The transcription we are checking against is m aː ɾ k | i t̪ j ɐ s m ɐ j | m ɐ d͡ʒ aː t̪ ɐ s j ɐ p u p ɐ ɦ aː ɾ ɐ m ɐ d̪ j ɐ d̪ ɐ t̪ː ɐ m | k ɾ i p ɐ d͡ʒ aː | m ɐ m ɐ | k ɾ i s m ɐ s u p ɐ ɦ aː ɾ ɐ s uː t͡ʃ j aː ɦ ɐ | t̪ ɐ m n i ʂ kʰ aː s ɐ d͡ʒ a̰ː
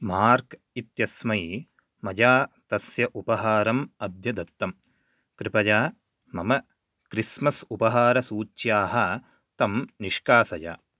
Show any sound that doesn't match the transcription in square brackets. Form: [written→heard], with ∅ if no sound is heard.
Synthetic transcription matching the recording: m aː ɾ k | i t̪ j ɐ s m ɐ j | m ɐ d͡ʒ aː t̪ ɐ s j ɐ [p→ʔ] u p ɐ ɦ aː ɾ ɐ m ɐ d̪ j ɐ d̪ ɐ t̪ː ɐ m | k ɾ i p ɐ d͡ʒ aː | m ɐ m ɐ | k ɾ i s m ɐ s u p ɐ ɦ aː ɾ ɐ s uː t͡ʃ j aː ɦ ɐ | t̪ ɐ m n i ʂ [kʰ→k] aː s ɐ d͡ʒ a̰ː